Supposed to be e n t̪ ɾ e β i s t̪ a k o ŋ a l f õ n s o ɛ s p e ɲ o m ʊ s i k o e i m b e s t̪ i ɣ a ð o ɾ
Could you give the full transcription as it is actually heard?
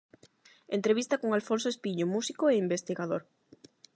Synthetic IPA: e n t̪ ɾ e β i s t̪ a k o ŋ a l f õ n s o e s p i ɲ o m u s i k o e i m b e s t̪ i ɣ a ð o ɾ